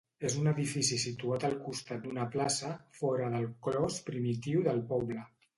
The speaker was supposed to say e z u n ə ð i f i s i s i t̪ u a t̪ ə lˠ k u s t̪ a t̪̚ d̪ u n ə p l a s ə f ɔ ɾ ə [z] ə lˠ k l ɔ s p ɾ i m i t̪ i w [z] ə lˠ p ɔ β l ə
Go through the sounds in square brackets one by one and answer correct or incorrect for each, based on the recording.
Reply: incorrect: ð, incorrect: ð

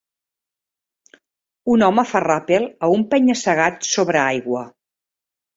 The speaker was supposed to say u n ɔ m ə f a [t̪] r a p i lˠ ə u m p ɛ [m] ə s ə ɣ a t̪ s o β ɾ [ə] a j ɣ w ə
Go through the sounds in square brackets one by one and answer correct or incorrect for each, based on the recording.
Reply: incorrect: none, incorrect: ɲ, correct

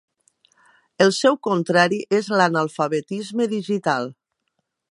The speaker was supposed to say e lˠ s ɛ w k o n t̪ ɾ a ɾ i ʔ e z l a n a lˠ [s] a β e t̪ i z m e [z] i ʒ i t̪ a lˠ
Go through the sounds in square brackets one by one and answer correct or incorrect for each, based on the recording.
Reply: incorrect: f, incorrect: ð

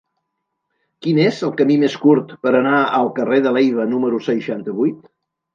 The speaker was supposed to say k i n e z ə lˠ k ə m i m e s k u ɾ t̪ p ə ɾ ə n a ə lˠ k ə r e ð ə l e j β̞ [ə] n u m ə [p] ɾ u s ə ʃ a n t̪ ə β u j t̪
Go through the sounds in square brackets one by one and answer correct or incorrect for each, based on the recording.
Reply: correct, incorrect: none

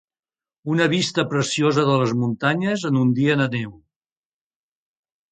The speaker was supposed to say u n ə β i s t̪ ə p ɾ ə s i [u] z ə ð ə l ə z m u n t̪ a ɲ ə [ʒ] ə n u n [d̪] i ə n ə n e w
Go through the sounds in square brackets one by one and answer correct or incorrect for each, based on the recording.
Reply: incorrect: o, incorrect: z, correct

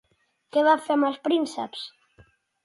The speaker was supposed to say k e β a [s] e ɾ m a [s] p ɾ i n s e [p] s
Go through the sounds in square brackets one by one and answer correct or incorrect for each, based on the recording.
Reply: incorrect: f, correct, correct

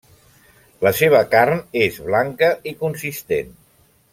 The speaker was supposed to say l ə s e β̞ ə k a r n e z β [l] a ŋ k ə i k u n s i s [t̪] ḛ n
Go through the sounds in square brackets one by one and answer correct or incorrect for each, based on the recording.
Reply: correct, correct

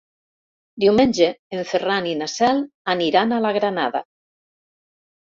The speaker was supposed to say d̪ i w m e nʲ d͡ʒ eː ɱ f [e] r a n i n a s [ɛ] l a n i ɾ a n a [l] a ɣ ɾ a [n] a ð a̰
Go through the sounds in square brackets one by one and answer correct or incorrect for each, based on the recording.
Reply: correct, correct, correct, correct

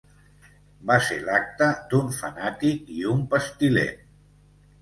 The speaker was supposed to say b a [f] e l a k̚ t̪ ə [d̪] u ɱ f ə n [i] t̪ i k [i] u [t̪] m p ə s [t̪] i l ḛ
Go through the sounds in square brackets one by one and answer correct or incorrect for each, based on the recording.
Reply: incorrect: s, correct, incorrect: a, correct, incorrect: none, correct

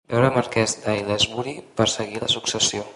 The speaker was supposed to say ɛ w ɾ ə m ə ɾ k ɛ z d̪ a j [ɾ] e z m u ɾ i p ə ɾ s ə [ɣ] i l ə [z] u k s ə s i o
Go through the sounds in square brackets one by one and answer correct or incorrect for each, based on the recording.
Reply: incorrect: l, correct, incorrect: s

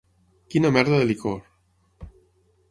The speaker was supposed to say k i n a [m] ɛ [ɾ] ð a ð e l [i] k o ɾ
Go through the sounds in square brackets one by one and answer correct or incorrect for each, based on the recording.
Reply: correct, correct, correct

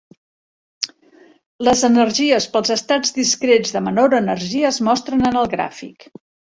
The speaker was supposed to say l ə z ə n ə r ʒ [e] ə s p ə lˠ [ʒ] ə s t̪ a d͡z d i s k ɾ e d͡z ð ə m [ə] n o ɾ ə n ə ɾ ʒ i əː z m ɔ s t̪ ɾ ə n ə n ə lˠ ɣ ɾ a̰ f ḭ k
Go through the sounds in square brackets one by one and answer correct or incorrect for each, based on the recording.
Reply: incorrect: i, incorrect: z, correct

